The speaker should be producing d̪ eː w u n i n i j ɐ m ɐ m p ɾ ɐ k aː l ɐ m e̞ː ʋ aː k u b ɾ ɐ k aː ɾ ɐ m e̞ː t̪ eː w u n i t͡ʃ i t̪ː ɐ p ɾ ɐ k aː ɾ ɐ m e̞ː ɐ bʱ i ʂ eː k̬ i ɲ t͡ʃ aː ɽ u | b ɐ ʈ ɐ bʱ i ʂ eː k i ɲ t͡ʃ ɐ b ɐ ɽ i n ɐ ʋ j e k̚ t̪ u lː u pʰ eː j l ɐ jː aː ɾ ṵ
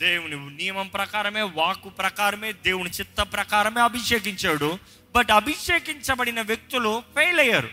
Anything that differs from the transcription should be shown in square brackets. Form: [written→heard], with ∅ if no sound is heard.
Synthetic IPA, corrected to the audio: d̪ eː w u n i n i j ɐ m ɐ m p ɾ ɐ k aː [l→ɾ] ɐ m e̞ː ʋ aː k u [b→p] ɾ ɐ k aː ɾ ɐ m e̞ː [t̪→d̪] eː w u n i t͡ʃ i t̪ː ɐ p ɾ ɐ k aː ɾ ɐ m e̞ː ɐ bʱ i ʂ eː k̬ i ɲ t͡ʃ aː ɽ u | b ɐ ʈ ɐ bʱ i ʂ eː k i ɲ t͡ʃ ɐ b ɐ ɽ i n ɐ ʋ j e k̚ t̪ u [lː→l] u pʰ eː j l ɐ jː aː ɾ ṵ